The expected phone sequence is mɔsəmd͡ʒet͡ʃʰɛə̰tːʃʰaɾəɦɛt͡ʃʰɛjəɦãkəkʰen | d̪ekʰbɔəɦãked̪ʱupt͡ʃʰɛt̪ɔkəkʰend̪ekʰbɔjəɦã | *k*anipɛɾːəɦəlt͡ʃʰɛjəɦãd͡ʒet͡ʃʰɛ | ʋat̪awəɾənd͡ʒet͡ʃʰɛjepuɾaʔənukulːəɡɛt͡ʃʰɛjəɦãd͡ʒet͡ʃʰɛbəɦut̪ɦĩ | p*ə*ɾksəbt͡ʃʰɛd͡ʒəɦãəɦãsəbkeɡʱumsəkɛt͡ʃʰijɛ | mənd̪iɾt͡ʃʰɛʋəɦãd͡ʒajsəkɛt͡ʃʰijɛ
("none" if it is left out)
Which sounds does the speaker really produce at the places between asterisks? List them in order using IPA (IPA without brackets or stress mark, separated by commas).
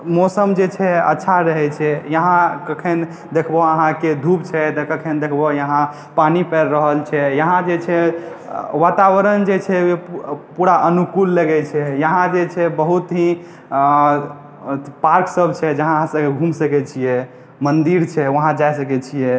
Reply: p, a